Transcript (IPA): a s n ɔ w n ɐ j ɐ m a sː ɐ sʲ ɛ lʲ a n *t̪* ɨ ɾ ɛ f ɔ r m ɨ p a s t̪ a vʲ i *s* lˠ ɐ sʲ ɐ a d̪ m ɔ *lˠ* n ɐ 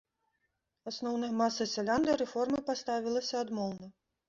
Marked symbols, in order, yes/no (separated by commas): no, no, yes